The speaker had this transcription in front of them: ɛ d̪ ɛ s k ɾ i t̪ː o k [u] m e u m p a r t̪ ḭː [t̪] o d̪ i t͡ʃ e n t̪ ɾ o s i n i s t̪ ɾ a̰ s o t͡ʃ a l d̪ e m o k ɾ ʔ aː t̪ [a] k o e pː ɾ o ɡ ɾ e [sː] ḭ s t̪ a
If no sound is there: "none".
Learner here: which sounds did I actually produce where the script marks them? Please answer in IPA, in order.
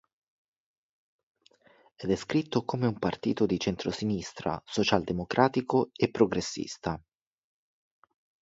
o, t̪, i, sː

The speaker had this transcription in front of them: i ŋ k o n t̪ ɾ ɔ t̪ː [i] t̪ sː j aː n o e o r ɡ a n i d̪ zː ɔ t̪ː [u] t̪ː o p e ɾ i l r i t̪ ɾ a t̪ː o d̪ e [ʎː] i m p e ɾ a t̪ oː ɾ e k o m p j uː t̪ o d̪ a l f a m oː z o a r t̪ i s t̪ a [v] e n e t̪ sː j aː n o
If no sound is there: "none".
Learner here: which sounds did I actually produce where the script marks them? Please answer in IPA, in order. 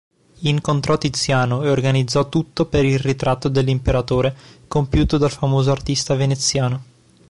i, u, lː, v

